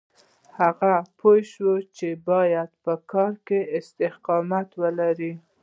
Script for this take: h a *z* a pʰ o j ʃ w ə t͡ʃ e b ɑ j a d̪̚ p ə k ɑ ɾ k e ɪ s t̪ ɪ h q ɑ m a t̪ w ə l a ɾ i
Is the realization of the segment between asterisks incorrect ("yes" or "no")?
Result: yes